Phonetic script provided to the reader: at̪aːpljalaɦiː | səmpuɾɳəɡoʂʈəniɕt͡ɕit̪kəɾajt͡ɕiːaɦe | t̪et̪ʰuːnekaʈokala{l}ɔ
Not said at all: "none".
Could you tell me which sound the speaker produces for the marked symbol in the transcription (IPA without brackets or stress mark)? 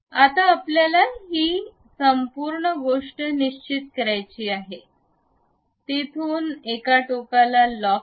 l